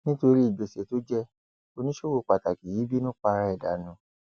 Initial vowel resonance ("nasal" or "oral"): nasal